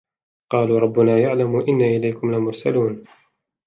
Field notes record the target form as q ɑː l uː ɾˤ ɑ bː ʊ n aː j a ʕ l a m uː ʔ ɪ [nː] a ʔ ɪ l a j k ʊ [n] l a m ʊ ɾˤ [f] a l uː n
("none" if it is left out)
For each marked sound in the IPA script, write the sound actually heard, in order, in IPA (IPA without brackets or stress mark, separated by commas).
nː, m, s